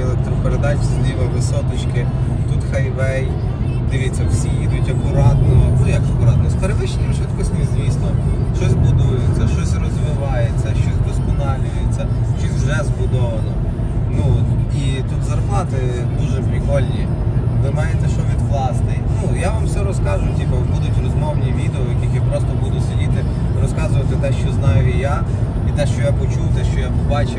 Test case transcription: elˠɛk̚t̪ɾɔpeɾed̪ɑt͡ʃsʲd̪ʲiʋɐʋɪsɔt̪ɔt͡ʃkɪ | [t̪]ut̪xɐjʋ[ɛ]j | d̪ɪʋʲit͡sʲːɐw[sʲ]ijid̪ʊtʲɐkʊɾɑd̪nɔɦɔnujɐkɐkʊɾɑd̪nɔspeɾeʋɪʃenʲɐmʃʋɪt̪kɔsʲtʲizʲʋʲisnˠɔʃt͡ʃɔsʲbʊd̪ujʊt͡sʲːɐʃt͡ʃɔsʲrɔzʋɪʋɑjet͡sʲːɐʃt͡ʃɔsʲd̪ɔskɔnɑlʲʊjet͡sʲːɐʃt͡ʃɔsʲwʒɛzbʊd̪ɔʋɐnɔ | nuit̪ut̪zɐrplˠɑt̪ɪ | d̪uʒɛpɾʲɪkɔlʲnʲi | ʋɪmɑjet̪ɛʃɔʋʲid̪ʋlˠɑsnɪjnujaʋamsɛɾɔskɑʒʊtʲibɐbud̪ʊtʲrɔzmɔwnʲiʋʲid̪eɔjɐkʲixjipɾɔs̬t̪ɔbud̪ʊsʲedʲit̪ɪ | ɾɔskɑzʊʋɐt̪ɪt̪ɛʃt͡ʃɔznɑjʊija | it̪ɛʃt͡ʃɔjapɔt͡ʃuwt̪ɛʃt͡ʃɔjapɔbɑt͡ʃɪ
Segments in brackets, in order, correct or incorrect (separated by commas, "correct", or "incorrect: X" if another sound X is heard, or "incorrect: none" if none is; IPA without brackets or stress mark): correct, correct, correct